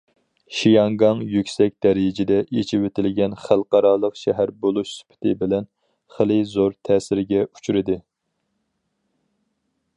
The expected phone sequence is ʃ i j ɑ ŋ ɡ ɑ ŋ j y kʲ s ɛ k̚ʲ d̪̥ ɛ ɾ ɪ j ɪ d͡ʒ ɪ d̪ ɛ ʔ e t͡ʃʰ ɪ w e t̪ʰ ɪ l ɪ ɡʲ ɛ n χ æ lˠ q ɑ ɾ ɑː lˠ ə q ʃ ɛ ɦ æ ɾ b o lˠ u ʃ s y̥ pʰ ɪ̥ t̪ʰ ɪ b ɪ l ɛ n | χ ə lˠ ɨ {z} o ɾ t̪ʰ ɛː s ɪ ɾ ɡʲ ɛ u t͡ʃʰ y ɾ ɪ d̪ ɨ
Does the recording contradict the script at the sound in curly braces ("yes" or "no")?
no